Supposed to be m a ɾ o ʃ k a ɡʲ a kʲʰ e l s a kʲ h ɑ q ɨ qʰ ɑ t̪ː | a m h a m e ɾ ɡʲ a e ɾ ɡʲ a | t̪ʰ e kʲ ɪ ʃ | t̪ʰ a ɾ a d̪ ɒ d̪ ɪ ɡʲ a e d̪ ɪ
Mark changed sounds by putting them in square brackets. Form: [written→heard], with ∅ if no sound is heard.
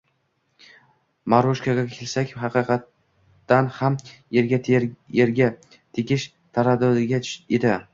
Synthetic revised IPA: m a ɾ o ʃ k a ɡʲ a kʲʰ e l s a kʲ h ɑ q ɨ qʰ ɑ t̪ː | a [m→n] h a m e ɾ ɡʲ a e ɾ ɡʲ a | t̪ʰ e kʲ ɪ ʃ | t̪ʰ a ɾ a d̪ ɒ d̪ ɪ ɡʲ a e d̪ ɪ